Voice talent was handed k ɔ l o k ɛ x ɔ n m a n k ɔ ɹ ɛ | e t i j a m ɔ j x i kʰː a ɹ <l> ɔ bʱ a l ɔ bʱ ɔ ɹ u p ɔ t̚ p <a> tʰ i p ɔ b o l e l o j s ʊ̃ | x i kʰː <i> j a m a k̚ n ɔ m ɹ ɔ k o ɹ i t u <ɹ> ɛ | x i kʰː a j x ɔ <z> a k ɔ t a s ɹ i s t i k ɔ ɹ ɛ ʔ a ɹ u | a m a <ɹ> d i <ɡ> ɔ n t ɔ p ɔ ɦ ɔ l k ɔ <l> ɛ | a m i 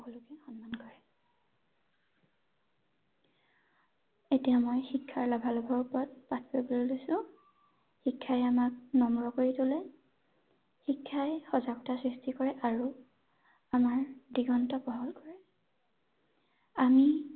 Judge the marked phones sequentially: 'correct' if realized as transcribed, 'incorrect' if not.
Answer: correct, correct, incorrect: a, incorrect: l, correct, correct, correct, incorrect: ɹ

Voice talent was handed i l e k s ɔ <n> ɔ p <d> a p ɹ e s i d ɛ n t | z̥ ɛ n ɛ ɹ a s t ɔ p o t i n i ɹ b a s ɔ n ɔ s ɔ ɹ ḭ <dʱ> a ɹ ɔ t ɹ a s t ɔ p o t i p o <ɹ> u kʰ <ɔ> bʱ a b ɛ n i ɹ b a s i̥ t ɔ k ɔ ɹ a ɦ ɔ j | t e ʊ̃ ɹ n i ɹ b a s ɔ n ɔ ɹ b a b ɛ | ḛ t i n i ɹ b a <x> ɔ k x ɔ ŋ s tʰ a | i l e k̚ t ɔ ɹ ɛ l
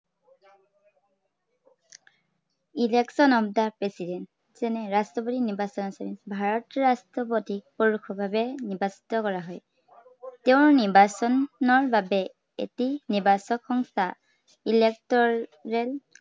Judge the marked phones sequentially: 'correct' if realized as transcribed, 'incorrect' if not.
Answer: correct, correct, incorrect: bʱ, correct, correct, incorrect: s

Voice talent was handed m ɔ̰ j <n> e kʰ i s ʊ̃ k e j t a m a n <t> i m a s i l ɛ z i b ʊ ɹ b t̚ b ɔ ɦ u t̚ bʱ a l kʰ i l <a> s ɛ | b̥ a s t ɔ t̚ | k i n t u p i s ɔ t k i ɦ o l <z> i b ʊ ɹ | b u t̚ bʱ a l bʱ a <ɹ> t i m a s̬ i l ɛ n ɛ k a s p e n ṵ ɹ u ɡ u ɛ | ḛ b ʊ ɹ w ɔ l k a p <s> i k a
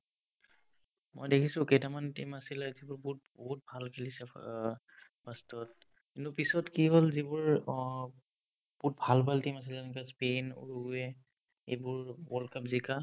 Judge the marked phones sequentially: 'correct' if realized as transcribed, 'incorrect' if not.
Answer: incorrect: d, correct, incorrect: i, correct, incorrect: l, incorrect: z

